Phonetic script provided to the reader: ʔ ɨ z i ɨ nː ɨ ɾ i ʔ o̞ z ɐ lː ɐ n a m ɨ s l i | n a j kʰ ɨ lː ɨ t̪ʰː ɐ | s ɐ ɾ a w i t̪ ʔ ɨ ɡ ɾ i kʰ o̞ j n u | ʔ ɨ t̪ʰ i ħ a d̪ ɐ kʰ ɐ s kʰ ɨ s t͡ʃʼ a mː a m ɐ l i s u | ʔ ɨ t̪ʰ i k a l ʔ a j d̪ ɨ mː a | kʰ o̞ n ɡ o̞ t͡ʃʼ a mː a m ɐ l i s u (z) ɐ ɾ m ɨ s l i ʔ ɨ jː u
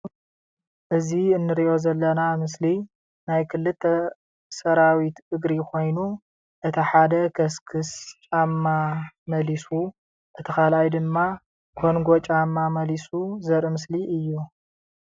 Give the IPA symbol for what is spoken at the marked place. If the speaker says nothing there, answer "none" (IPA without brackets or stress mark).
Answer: z